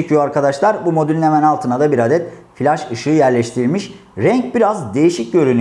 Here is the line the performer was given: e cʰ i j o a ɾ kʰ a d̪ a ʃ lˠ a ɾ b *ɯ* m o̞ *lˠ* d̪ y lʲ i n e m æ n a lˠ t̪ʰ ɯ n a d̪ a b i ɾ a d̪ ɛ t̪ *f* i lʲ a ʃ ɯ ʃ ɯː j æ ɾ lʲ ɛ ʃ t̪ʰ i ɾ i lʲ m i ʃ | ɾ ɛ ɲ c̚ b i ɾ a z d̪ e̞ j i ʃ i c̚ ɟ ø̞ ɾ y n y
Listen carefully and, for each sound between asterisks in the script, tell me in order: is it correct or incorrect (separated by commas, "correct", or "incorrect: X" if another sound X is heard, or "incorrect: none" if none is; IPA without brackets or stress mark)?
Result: incorrect: u, incorrect: none, correct